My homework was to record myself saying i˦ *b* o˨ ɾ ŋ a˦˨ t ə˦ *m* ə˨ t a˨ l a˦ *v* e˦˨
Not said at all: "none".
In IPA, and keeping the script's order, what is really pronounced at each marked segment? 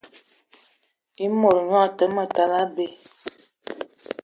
m, m, b

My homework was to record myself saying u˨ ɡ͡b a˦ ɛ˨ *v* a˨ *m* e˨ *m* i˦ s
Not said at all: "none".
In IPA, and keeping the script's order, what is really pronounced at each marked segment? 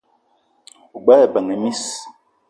b, ŋ, m

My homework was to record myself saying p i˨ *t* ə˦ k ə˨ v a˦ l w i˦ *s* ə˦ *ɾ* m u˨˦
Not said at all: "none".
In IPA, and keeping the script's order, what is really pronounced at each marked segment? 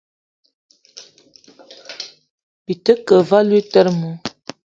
t, t, ɾ

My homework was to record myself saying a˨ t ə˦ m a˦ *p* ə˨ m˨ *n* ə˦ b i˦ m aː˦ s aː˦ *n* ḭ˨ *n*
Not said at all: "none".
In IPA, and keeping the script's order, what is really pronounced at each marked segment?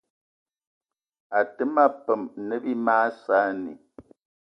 p, n, n, none

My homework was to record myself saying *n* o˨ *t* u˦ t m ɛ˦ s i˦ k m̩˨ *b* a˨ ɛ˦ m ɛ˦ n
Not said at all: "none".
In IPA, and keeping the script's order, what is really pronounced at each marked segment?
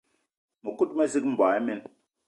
m, k, b

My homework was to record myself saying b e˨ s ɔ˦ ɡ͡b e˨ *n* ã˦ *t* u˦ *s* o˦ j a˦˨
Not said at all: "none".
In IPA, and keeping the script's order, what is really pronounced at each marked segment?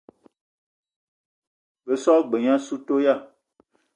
ɲ, s, t

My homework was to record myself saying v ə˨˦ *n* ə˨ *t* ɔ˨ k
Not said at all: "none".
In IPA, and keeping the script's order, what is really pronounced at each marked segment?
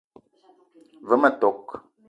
m, t

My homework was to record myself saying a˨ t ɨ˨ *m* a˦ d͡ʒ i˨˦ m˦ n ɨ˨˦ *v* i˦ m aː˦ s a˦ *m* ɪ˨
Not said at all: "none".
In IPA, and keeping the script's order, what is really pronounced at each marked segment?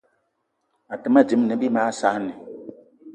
m, b, n

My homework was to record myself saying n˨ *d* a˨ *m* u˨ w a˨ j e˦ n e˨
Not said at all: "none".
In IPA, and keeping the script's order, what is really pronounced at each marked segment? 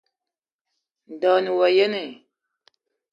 d, n

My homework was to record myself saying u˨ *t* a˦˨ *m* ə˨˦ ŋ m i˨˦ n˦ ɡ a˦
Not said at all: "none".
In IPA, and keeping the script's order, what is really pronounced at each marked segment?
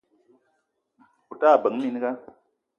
t, b

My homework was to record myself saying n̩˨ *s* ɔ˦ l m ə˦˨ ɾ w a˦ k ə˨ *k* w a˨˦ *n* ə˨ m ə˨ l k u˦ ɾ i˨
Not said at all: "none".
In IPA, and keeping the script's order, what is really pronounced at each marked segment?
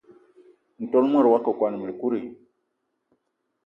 t, k, n

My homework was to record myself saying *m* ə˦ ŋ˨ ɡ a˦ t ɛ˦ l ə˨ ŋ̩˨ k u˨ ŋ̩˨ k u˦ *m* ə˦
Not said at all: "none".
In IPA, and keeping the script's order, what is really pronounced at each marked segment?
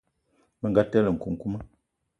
m, m

